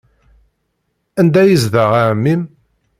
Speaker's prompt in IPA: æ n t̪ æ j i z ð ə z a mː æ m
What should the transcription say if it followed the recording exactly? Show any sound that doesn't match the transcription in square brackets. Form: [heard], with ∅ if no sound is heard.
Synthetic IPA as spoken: æ n [d̪] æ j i z ð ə [ʁ] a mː [i] m